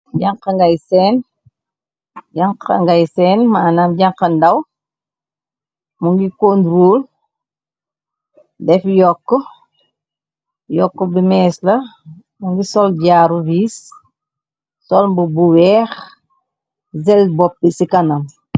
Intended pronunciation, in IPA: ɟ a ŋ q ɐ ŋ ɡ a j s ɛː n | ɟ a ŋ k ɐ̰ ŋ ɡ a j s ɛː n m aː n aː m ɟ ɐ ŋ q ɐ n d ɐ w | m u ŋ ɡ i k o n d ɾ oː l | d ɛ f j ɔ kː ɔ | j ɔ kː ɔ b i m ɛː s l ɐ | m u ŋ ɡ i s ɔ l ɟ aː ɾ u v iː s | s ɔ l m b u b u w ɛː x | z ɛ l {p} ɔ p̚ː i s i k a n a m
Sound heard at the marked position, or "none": b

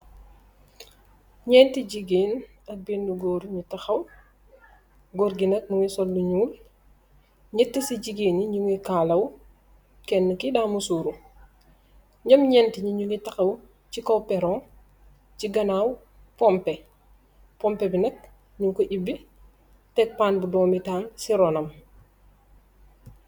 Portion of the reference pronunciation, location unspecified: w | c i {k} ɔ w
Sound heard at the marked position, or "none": k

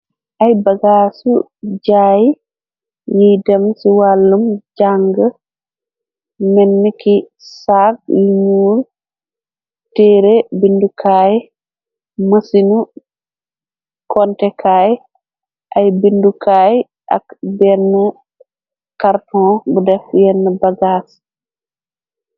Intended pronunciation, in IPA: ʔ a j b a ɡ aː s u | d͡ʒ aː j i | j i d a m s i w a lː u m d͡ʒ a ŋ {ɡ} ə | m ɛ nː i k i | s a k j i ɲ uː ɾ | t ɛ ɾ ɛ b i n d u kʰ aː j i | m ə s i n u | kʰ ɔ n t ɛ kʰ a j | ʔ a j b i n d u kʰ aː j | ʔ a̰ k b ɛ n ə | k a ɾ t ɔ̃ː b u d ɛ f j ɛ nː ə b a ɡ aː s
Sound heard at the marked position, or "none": ɡ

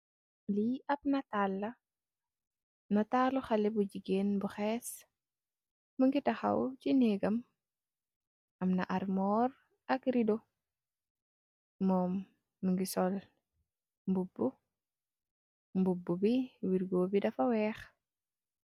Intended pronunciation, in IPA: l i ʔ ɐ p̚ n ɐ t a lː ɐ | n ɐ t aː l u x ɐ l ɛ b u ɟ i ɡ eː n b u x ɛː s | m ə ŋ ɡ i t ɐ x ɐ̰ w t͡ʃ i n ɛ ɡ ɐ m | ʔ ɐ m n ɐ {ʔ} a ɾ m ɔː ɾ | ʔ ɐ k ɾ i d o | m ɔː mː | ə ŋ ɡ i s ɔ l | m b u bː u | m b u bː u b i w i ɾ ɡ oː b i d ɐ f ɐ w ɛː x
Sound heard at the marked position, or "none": ʔ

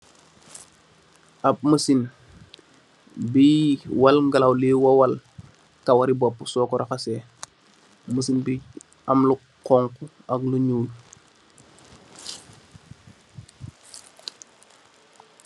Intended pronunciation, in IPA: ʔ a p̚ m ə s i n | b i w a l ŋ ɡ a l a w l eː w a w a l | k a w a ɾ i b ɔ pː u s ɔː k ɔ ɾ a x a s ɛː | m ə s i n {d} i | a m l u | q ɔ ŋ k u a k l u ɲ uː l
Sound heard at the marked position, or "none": b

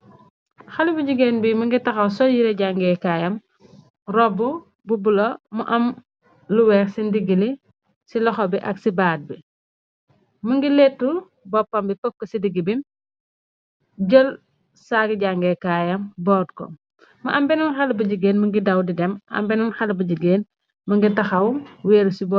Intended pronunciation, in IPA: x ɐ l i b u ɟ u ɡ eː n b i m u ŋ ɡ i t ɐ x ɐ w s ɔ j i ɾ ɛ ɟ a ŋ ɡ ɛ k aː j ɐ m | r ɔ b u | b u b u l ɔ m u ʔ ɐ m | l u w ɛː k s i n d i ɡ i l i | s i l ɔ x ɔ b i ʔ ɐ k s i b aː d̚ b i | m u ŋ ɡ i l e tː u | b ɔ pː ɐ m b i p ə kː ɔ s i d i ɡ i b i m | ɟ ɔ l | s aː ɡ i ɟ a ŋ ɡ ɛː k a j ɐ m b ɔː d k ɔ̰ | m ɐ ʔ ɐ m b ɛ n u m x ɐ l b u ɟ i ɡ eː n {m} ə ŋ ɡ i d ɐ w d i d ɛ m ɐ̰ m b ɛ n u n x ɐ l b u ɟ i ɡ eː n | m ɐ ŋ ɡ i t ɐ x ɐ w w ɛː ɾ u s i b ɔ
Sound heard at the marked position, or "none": m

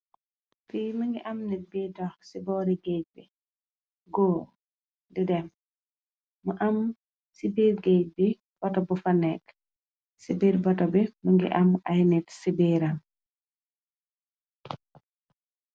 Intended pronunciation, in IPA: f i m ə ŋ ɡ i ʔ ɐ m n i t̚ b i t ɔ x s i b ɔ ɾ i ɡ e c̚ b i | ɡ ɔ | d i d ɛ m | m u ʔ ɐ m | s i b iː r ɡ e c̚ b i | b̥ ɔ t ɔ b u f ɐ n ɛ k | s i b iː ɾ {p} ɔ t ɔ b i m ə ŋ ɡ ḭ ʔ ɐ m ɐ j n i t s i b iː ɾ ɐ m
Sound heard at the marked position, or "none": b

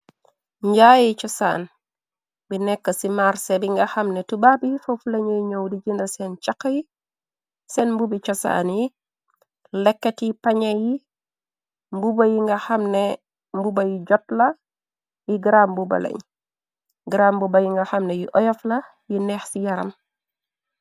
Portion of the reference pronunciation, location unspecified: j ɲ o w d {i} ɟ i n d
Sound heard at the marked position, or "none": i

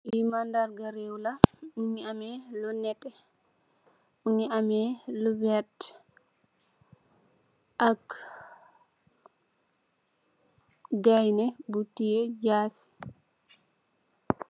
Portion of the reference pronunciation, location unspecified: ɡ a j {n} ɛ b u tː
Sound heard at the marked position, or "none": n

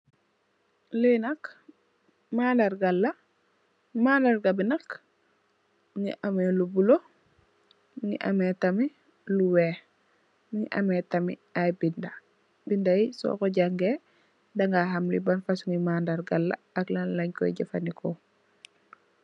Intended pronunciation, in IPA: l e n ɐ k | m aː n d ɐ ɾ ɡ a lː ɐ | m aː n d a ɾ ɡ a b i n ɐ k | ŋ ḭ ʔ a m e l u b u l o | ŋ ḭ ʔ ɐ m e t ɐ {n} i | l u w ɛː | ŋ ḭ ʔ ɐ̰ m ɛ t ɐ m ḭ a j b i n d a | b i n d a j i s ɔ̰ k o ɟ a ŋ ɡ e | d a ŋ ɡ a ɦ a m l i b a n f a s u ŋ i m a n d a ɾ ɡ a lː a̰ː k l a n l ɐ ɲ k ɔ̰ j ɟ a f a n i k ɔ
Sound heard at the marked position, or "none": m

